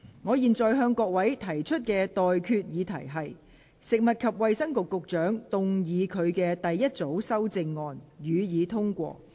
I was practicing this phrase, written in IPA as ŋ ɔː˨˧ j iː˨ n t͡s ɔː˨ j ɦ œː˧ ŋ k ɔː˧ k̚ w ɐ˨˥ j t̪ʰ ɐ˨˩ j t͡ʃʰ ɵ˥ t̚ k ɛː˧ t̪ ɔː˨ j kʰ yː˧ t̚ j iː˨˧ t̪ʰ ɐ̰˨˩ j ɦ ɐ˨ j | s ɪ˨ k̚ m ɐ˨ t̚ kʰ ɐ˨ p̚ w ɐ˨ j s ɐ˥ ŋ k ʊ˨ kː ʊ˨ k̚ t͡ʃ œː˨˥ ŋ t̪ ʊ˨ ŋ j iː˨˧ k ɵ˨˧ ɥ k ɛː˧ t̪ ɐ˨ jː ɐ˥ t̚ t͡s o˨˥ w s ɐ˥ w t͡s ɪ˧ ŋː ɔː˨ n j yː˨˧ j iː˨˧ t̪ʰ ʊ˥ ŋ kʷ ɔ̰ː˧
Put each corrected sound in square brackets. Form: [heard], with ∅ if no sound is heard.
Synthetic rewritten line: ŋ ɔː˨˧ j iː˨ n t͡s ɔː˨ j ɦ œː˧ ŋ k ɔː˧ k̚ w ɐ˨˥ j t̪ʰ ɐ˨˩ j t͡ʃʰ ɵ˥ t̚ k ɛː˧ t̪ ɔː˨ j kʰ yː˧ t̚ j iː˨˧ t̪ʰ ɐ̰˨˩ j ɦ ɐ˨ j | s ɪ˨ k̚ m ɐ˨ t̚ kʰ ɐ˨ p̚ w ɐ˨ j s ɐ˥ ŋ k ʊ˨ kː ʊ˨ k̚ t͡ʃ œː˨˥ ŋ t̪ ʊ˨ ŋ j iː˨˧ [kʰ] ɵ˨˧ ɥ k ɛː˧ t̪ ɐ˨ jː ɐ˥ t̚ t͡s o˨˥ w s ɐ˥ w t͡s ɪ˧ ŋː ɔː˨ n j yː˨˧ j iː˨˧ t̪ʰ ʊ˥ ŋ kʷ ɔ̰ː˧

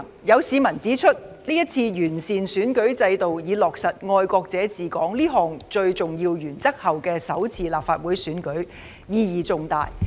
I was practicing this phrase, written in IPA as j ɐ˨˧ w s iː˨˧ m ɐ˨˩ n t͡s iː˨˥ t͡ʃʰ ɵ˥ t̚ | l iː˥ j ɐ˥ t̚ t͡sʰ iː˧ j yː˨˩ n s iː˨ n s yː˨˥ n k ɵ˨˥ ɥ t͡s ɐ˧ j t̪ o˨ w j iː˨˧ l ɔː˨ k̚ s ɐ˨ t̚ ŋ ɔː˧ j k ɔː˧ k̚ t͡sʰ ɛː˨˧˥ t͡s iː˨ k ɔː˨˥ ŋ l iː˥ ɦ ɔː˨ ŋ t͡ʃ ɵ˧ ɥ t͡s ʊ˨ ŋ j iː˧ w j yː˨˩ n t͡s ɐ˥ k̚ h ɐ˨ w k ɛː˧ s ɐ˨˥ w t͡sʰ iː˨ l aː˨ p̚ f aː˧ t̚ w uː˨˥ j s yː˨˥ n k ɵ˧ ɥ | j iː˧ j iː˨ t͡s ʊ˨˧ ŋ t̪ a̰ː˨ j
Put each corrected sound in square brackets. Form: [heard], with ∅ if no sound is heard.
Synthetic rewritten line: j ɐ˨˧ w s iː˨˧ m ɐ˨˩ n t͡s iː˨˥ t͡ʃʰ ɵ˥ t̚ | l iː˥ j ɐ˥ t̚ t͡sʰ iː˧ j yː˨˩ n s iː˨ n s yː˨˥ n k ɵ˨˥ ɥ t͡s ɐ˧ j t̪ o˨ w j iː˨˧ l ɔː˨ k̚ s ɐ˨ t̚ ŋ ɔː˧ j k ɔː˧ k̚ [t͡s] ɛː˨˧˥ t͡s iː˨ k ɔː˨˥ ŋ l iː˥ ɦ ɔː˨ ŋ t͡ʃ ɵ˧ ɥ t͡s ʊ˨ ŋ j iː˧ w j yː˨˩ n t͡s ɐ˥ k̚ h ɐ˨ w k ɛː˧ s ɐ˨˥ w t͡sʰ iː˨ l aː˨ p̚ f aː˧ t̚ w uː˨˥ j s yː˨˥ n k [ɵ˨˥] ɥ | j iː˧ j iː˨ t͡s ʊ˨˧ ŋ t̪ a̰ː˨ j

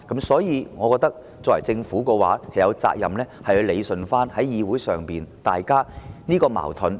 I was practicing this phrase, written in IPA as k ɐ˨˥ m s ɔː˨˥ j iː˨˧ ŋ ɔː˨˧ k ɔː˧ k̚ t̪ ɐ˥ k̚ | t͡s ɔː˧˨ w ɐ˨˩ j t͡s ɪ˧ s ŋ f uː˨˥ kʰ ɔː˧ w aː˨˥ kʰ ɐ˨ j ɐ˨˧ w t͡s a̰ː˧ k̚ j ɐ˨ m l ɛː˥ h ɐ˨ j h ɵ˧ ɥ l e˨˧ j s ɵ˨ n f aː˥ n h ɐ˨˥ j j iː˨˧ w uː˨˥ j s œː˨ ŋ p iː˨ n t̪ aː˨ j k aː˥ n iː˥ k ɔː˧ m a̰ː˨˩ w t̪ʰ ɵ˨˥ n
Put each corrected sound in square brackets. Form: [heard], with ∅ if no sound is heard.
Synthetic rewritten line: k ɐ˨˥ m s ɔː˨˥ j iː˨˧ ŋ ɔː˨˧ k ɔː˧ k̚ t̪ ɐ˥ k̚ | t͡s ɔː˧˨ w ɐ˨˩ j t͡s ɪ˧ [∅] ŋ f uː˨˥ [k] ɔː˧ w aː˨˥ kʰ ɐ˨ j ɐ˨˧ w t͡s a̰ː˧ k̚ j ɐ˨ m l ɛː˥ h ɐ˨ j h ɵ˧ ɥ l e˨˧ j s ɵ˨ n f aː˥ n h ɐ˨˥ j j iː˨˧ w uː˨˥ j s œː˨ ŋ p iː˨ n t̪ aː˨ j k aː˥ n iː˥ k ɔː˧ m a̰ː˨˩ w t̪ʰ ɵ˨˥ n

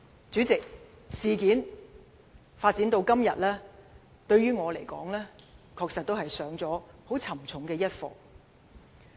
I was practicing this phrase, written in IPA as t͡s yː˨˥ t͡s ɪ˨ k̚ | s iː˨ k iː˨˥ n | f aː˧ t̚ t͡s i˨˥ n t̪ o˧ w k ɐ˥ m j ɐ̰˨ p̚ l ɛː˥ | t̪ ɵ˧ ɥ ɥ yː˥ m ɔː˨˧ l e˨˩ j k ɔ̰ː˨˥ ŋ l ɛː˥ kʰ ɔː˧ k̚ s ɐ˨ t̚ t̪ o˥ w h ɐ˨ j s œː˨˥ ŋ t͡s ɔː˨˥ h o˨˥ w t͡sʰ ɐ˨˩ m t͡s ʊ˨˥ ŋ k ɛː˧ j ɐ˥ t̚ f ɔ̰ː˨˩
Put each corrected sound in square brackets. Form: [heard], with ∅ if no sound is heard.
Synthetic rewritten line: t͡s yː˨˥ t͡s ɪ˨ k̚ | s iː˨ k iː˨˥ n | f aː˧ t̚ t͡s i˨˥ n t̪ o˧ w k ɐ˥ m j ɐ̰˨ [t̚] l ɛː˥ | t̪ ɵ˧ ɥ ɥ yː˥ [ŋ] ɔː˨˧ l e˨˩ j k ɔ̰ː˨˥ ŋ l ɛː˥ kʰ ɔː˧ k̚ s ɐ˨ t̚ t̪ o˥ w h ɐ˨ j s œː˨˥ ŋ t͡s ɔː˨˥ h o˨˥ w t͡sʰ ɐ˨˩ m [t͡sʰ] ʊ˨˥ ŋ k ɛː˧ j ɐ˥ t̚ f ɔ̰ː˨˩

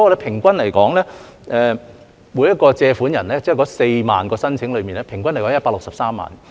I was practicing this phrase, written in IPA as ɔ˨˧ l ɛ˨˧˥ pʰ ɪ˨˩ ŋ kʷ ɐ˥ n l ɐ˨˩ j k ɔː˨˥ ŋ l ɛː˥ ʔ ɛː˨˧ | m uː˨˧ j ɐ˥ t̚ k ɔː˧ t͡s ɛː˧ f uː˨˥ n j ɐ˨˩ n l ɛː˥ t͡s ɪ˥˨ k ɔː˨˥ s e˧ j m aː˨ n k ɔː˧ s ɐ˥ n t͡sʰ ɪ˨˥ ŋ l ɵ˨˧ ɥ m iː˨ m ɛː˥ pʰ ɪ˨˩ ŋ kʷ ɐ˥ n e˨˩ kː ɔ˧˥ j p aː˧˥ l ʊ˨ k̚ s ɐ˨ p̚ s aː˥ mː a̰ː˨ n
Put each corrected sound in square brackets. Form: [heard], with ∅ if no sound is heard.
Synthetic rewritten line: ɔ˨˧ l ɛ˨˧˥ pʰ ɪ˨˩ ŋ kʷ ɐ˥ n l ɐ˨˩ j k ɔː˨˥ ŋ l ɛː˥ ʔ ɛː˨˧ | m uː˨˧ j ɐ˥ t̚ k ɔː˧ t͡s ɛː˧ f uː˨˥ n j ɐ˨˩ n l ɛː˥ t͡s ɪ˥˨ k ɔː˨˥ s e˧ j m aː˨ n k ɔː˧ s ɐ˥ n t͡sʰ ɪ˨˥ ŋ l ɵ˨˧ ɥ m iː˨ [n] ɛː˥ pʰ ɪ˨˩ ŋ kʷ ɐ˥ n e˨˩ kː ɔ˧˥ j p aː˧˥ l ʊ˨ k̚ s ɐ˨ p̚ s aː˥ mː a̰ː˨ n

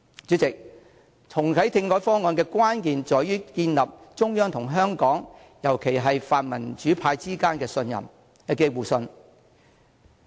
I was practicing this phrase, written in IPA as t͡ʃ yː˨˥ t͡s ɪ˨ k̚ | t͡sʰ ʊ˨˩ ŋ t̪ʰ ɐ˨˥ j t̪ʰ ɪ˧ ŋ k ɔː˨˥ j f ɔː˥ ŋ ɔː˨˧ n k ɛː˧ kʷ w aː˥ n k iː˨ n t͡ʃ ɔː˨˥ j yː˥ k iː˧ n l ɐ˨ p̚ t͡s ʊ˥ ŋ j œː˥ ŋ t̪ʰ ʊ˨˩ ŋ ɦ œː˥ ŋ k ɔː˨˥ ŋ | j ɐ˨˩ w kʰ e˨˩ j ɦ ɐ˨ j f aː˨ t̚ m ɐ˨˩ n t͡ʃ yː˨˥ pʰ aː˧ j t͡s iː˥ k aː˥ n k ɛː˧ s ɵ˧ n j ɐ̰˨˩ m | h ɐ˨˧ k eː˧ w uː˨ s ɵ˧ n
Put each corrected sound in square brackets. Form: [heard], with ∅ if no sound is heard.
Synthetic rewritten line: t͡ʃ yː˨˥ t͡s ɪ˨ k̚ | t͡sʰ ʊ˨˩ ŋ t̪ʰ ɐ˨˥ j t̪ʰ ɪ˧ ŋ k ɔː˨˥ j f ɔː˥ ŋ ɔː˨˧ n k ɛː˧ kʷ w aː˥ n k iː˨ n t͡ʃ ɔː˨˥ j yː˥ k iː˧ n l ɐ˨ p̚ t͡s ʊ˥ ŋ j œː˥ ŋ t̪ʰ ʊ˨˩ ŋ ɦ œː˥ ŋ k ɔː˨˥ ŋ | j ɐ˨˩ w kʰ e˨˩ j ɦ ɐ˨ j f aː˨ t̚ m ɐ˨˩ n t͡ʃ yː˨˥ pʰ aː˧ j t͡s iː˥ k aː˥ n k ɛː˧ s ɵ˧ n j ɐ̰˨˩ m | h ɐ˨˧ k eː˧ w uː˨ s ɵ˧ n

